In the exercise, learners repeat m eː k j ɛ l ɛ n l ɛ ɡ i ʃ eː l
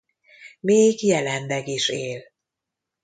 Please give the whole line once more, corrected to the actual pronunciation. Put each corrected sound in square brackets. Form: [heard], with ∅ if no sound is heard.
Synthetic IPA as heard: m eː [ɡ] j ɛ l ɛ n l ɛ ɡ i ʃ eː l